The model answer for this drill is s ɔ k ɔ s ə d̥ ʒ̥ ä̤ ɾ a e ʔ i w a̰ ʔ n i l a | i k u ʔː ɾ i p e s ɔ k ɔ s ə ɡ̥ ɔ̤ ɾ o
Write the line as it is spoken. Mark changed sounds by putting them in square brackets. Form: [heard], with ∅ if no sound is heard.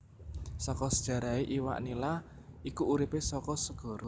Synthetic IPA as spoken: s ɔ k ɔ s ə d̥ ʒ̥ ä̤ ɾ a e ʔ i w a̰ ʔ n i l a | i k u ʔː ɾ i p e s ɔ k ɔ s ə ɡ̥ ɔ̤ ɾ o

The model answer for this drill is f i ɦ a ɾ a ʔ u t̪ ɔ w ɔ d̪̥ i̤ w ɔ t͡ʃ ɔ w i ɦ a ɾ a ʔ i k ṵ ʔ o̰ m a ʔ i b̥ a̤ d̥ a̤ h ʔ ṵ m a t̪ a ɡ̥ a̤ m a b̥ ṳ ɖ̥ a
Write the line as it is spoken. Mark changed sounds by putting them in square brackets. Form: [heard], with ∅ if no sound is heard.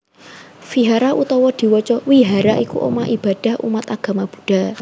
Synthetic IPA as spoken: f i ɦ a ɾ a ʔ u t̪ ɔ w ɔ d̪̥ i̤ w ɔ t͡ʃ ɔ w i ɦ a ɾ a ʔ i k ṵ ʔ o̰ m a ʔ i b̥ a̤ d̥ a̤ h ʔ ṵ m a t̪ a ɡ̥ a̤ m a b̥ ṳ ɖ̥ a

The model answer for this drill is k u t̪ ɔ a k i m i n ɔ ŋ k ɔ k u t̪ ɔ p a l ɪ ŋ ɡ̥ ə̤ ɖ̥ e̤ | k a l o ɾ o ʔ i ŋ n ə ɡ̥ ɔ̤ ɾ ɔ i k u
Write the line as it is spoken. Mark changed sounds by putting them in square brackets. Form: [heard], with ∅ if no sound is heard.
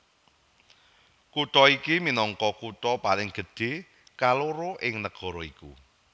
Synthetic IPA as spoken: k u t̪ ɔ [i] k i m i n ɔ ŋ k ɔ k u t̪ ɔ p a l ɪ ŋ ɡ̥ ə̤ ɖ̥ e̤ | k a l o ɾ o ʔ [ɪ] ŋ n ə ɡ̥ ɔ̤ ɾ ɔ i k u

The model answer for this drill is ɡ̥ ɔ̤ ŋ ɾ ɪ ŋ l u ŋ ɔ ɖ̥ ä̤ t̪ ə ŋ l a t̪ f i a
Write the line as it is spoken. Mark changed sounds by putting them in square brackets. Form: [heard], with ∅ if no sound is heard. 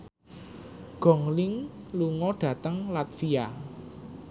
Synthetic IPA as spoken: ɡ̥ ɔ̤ ŋ [l] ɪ ŋ l u ŋ ɔ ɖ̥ ä̤ t̪ ə ŋ l a t̪ f i a

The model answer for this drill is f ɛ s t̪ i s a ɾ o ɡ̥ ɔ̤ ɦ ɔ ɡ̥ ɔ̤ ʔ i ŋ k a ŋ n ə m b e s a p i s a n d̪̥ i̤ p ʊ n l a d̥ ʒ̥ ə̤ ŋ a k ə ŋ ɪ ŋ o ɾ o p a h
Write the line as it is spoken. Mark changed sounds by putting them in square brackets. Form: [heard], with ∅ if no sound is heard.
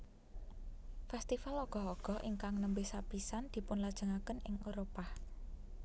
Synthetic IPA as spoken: f ɛ s t̪ i [f] a [l] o ɡ̥ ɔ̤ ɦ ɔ ɡ̥ ɔ̤ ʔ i ŋ k a ŋ n ə m b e s a p i s a n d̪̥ i̤ p ʊ n l a d̥ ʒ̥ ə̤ ŋ a k ə [n] ɪ ŋ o ɾ o p a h

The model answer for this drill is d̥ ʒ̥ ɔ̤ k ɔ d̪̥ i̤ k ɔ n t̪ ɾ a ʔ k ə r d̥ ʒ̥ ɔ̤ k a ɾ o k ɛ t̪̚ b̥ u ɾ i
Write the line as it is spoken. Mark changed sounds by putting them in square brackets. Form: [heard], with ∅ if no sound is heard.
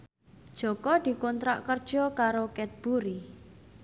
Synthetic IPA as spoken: d̥ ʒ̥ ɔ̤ k ɔ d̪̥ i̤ k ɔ n t̪ ɾ a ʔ k ə r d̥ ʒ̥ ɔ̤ k a ɾ o k ɛ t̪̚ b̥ u ɾ i

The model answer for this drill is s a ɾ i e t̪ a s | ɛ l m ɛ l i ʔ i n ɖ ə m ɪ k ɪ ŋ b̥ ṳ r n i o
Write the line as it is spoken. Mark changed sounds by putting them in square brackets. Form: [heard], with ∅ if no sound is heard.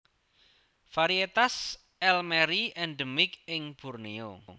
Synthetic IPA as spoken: [f] a ɾ i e t̪ a s | ɛ l m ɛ [ɾ] i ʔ [ɛ] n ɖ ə m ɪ k ɪ ŋ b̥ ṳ r n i o

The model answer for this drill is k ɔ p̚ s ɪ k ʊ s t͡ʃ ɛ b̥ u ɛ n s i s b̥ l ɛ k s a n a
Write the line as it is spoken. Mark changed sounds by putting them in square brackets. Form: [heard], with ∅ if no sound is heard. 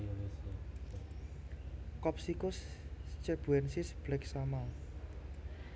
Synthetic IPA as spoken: k ɔ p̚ s [i] k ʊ s t͡ʃ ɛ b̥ u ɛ n s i s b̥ l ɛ k s a [m] a

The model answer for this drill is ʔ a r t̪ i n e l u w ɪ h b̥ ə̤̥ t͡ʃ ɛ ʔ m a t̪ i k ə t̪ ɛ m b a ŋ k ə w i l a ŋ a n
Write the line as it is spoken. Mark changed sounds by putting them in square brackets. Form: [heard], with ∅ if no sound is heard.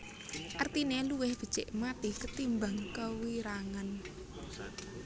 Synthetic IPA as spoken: ʔ a r t̪ i n e l u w ɪ h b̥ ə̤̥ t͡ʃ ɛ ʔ m a t̪ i k ə t̪ [i] m b a ŋ k ə w i [ɾ] a ŋ a n

